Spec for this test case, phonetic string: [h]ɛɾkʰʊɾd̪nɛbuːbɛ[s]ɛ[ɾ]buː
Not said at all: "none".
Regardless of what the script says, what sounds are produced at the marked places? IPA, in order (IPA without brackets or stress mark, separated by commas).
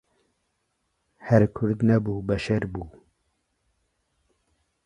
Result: h, ʃ, ɾ